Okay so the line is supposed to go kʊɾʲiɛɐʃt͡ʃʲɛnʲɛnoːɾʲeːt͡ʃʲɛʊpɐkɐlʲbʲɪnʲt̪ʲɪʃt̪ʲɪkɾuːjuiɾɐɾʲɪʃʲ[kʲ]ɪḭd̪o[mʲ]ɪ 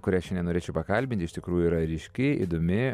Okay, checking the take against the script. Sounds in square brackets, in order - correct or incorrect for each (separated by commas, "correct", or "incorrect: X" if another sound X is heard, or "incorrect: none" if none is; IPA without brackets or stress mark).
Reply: correct, correct